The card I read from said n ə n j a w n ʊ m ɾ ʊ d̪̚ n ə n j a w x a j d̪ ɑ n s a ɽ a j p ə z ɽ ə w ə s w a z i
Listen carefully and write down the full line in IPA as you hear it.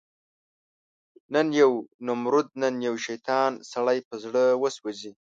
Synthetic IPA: n ə n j a w n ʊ m ɾ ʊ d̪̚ n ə n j a w ʃ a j t̪ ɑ n s a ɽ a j p ə z ɽ ə w ə s w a z i